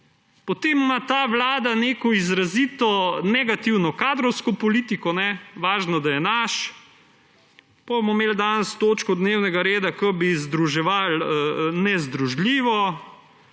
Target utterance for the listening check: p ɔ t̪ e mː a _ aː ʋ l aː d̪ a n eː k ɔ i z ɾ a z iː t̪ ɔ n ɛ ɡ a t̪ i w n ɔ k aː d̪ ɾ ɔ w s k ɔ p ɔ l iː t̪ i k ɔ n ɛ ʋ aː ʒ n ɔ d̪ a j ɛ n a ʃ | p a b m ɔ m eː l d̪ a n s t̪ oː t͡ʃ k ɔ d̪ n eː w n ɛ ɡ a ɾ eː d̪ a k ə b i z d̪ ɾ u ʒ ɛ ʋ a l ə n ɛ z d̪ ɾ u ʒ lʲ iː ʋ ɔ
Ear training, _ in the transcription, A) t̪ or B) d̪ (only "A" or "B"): A